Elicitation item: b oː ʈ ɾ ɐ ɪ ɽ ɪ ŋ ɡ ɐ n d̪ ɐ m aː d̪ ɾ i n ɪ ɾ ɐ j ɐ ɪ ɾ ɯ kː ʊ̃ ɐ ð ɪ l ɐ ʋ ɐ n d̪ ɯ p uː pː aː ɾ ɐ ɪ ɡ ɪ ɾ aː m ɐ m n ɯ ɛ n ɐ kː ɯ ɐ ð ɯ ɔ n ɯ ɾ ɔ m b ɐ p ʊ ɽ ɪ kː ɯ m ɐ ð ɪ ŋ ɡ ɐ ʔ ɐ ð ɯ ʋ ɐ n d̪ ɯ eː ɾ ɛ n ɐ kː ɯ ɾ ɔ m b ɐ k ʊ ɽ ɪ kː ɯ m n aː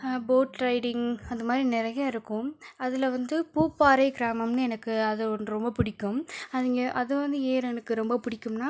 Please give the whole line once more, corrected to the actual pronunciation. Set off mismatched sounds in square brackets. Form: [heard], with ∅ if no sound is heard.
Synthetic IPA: b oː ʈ ɾ ɐ ɪ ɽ ɪ ŋ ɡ ɐ n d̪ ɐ m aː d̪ ɾ i n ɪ ɾ ɐ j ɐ ɪ ɾ ɯ kː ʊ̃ ɐ ð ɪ l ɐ ʋ ɐ n d̪ ɯ p uː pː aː ɾ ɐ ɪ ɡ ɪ ɾ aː m ɐ m n ɯ ɛ n ɐ kː ɯ ɐ ð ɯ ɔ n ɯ ɾ ɔ m b ɐ p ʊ ɽ ɪ kː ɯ m ɐ ð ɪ ŋ ɡ ɐ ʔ ɐ ð ɯ ʋ ɐ n d̪ ɯ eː ɾ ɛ n ɐ kː ɯ ɾ ɔ m b ɐ [p] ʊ ɽ ɪ kː ɯ m n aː

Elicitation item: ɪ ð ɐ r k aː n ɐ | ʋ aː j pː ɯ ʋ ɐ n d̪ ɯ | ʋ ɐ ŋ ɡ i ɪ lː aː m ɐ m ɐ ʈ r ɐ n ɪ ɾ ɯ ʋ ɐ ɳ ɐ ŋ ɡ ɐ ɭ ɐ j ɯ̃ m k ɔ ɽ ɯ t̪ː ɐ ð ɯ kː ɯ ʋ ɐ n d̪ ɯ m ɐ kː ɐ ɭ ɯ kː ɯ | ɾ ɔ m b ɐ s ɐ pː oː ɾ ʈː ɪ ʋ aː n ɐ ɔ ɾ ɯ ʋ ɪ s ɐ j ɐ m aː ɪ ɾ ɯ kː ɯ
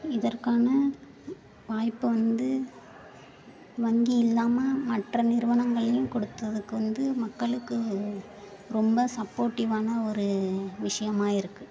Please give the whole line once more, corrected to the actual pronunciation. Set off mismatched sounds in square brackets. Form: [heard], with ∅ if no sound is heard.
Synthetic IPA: ɪ ð ɐ r k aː n ɐ | ʋ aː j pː ɯ ʋ ɐ n d̪ ɯ | ʋ ɐ ŋ ɡ i ɪ lː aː m ɐ m ɐ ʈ r ɐ n ɪ ɾ ɯ ʋ ɐ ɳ ɐ ŋ ɡ ɐ ɭ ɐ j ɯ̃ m k ɔ ɽ ɯ t̪ː ɐ ð ɯ kː ɯ ʋ ɐ n d̪ ɯ m ɐ kː ɐ ɭ ɯ kː ɯ | ɾ ɔ m b ɐ s ɐ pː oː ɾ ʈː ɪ ʋ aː n ɐ ɔ ɾ ɯ ʋ ɪ [ʂ] ɐ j ɐ m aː ɪ ɾ ɯ kː ɯ

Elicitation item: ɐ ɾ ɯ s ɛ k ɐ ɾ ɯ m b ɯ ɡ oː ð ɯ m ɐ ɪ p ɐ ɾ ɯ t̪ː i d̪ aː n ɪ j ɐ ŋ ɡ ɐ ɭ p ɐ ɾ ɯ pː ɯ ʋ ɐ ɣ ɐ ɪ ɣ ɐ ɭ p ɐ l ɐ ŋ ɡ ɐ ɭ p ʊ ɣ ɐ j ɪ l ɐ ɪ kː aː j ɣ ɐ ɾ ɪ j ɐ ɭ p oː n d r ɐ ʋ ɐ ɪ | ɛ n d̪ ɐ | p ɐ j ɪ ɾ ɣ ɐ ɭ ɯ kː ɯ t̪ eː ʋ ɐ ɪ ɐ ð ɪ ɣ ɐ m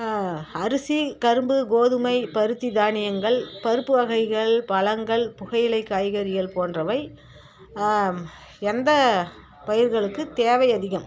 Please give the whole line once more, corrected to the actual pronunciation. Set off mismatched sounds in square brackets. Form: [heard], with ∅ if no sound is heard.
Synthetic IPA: ɐ ɾ ɯ s [i] k ɐ ɾ ɯ m b ɯ ɡ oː ð ɯ m ɐ ɪ p ɐ ɾ ɯ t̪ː i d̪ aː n ɪ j ɐ ŋ ɡ ɐ ɭ p ɐ ɾ ɯ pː ɯ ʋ ɐ ɣ ɐ ɪ ɣ ɐ ɭ p ɐ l ɐ ŋ ɡ ɐ ɭ p ʊ ɣ ɐ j ɪ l ɐ ɪ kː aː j ɣ ɐ ɾ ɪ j ɐ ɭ p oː n d r ɐ ʋ ɐ ɪ | ɛ n d̪ ɐ | p ɐ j ɪ ɾ ɣ ɐ ɭ ɯ kː ɯ t̪ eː ʋ ɐ ɪ ɐ ð ɪ ɣ ɐ m

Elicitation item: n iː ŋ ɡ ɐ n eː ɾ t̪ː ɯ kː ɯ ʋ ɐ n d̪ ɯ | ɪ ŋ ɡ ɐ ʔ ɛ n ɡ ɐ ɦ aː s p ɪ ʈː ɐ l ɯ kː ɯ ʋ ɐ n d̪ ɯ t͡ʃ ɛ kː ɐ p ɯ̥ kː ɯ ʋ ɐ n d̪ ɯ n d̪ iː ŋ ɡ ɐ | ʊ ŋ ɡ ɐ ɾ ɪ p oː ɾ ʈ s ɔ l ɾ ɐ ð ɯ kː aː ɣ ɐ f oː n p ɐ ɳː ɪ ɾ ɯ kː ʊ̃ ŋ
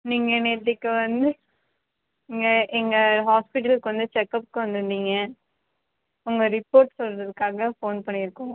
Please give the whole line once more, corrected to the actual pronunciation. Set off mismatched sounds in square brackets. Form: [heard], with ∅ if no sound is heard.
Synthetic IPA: n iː ŋ ɡ ɐ n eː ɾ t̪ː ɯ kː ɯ ʋ ɐ n d̪ ɯ | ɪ ŋ ɡ ɐ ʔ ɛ [ŋ] ɡ ɐ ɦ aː s p ɪ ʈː ɐ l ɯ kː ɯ ʋ ɐ n d̪ ɯ t͡ʃ ɛ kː ɐ p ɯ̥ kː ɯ ʋ ɐ n d̪ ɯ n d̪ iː ŋ ɡ ɐ | ʊ ŋ ɡ ɐ ɾ ɪ p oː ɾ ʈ s ɔ l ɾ ɐ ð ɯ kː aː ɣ ɐ f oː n p ɐ ɳː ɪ ɾ ɯ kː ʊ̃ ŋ

